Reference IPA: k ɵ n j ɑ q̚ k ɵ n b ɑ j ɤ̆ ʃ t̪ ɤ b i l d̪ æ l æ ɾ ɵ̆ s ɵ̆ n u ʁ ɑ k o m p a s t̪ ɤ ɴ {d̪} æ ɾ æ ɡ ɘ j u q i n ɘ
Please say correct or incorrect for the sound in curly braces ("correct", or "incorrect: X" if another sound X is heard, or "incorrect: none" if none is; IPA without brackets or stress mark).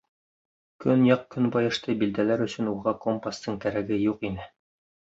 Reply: incorrect: t̪